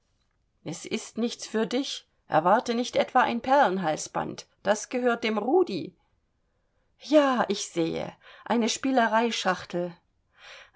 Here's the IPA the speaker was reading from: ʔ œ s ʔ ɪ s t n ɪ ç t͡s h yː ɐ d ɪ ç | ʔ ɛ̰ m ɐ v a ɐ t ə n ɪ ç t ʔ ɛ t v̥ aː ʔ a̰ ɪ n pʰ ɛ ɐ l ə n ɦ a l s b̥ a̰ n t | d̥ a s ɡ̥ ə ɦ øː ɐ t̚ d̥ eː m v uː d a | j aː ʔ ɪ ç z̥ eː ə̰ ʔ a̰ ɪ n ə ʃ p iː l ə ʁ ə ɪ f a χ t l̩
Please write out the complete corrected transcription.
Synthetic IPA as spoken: ʔ ɛ s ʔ ɪ s t n ɪ ç t͡s f yː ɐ d ɪ ç | ʔ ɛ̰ ɐ v a ɐ t ə n ɪ ç t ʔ ɛ t v̥ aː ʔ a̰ ɪ n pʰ ɛ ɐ l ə n ɦ a l s b̥ a̰ n t | d̥ a s ɡ̥ ə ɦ øː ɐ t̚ d̥ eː m ʁ uː d i | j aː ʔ ɪ ç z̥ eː ə̰ ʔ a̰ ɪ n ə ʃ p iː l ə ʁ a ɪ ʃ a χ t l̩